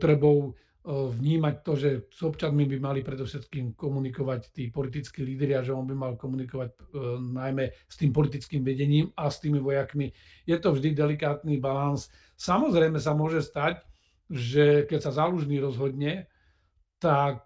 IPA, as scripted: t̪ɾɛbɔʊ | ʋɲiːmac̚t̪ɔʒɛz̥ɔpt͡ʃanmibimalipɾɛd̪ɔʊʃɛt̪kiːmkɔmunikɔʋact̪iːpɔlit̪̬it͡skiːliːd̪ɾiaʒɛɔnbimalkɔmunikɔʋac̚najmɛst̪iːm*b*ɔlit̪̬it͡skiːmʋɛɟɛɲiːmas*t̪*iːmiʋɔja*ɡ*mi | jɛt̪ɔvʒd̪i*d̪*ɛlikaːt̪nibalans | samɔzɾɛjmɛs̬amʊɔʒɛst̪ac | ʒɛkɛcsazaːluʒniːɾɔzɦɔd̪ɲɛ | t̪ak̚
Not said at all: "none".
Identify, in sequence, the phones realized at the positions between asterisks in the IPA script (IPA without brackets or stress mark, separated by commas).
p, t̪, k, d̪